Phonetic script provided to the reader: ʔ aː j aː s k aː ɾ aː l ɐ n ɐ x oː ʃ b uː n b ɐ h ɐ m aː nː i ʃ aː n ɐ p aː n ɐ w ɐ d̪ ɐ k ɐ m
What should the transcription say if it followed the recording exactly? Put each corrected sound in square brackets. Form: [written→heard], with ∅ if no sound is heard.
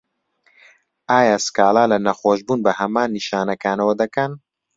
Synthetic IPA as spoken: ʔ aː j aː s k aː [ɾ→l] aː l ɐ n ɐ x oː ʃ b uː n b ɐ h ɐ m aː nː i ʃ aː n ɐ [p→k] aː n ɐ w ɐ d̪ ɐ k ɐ [m→n]

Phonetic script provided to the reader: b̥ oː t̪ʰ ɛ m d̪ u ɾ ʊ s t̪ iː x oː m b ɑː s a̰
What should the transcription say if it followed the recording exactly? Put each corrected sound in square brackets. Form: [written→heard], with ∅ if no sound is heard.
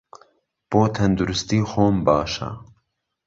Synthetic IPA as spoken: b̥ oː t̪ʰ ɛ [m→n] d̪ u ɾ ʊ s t̪ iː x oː m b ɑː [s→ʃ] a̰

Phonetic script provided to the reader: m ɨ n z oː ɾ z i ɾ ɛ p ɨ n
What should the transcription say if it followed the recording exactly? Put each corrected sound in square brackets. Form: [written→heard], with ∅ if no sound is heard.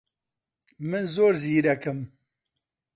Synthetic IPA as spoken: m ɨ n z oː ɾ z [i→iː] ɾ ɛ [p→k] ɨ [n→m]

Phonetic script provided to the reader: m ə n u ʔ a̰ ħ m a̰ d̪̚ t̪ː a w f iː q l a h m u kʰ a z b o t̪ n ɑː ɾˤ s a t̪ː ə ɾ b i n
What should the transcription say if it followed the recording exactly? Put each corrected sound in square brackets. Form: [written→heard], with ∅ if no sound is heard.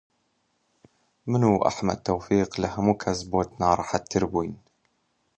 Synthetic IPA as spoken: m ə n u ʔ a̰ ħ m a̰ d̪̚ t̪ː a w f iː q l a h m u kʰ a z b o t̪ n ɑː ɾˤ [s→ħ] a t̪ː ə ɾ b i n

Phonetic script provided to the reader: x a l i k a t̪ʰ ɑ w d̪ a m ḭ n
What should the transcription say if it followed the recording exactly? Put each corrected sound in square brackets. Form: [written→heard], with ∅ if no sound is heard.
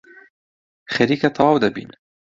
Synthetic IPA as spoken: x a [l→ɾ] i k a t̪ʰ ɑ w d̪ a [m→b] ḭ n

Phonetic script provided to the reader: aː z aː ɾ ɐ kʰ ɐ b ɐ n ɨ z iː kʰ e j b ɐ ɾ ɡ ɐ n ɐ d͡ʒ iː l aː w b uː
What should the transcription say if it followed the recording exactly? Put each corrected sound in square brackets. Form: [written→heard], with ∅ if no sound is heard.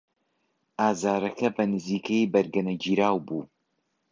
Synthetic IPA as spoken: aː z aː ɾ ɐ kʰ ɐ b ɐ n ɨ z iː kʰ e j b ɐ ɾ ɡ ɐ n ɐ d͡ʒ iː [l→ɾ] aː w b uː

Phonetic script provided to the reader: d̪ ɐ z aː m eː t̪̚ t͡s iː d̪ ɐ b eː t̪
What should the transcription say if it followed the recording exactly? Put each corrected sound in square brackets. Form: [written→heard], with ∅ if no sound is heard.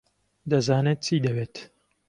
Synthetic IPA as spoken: d̪ ɐ z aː [m→n] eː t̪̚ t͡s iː d̪ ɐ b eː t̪

